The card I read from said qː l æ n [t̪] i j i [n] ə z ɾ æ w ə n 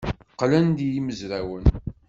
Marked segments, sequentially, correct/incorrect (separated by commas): incorrect, incorrect